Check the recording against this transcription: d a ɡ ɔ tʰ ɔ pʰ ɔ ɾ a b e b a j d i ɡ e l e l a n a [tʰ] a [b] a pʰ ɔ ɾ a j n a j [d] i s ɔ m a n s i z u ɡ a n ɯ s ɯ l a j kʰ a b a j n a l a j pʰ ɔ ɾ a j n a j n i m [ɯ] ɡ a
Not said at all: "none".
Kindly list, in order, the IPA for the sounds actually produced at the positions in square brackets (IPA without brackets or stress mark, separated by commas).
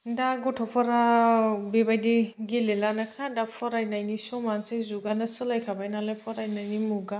kʰ, d, n, u